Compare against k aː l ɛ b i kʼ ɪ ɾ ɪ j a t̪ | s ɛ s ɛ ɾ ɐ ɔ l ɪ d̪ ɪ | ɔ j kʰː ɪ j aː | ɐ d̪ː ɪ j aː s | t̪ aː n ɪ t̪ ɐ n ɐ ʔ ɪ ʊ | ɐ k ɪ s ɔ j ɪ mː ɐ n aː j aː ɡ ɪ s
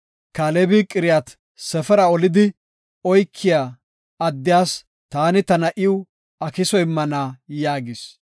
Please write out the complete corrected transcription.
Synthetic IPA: k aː l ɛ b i kʼ ɪ ɾ ɪ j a t̪ | s ɛ f ɛ ɾ ɐ ɔ l ɪ d̪ ɪ | ɔ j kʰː ɪ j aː | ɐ d̪ː ɪ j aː s | t̪ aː n ɪ t̪ ɐ n ɐ ʔ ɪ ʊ | ɐ k ɪ s ɔ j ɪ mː ɐ n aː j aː ɡ ɪ s